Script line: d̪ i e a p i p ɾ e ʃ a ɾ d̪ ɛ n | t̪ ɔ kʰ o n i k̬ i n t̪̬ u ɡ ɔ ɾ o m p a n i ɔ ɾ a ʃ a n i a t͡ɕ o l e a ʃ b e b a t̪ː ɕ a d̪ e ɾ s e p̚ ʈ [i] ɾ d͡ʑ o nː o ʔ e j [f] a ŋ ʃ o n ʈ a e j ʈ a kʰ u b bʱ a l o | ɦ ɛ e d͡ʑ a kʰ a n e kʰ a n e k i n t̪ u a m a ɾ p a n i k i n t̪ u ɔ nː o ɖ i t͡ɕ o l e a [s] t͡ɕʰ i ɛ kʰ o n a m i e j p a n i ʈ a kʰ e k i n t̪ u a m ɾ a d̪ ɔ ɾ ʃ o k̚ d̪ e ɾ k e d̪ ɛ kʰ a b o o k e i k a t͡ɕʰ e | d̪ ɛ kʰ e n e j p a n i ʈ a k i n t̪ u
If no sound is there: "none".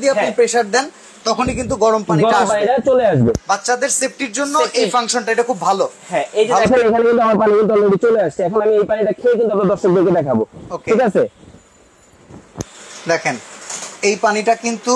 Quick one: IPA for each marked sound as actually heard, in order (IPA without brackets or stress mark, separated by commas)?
i, f, ʃ